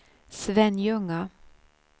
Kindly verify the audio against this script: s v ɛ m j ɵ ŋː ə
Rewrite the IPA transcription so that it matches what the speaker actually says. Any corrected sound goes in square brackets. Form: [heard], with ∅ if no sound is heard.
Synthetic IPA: s v ɛ [n] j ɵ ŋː [a]